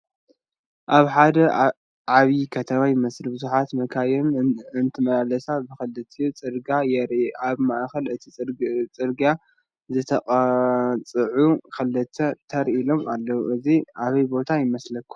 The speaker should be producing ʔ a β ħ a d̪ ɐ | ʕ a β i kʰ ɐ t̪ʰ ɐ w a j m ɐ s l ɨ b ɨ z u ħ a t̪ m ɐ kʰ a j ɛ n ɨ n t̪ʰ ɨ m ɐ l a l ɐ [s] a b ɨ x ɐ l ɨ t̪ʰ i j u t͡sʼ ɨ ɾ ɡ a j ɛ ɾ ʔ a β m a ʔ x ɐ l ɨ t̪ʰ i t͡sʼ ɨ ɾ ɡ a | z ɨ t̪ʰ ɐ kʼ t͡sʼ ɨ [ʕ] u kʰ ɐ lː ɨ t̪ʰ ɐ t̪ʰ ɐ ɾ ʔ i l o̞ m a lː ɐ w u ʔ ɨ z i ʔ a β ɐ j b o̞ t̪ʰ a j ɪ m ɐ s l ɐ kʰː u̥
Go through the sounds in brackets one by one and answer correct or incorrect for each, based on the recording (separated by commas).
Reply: correct, correct